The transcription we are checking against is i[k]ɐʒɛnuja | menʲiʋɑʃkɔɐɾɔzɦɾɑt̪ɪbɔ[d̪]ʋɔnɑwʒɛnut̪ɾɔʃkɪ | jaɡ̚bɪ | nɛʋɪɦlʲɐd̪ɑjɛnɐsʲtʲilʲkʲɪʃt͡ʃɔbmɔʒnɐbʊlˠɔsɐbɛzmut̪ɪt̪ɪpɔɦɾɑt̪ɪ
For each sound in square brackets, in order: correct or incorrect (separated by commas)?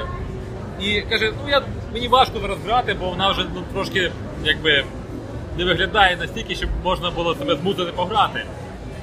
correct, incorrect